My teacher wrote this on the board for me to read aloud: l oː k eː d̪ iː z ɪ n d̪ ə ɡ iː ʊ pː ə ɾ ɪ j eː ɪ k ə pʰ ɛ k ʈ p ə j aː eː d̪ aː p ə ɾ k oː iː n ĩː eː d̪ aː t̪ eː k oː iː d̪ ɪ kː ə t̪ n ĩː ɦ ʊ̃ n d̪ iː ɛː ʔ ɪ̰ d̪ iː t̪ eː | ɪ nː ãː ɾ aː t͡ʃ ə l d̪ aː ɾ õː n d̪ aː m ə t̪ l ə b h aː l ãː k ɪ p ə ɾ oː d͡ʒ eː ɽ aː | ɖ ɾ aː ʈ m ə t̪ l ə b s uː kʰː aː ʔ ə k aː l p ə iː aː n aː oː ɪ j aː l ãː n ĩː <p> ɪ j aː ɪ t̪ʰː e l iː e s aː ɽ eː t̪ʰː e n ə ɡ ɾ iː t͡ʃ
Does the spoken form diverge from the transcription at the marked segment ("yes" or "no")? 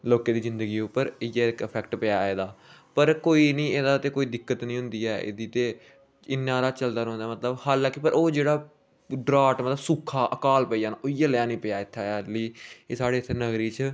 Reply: no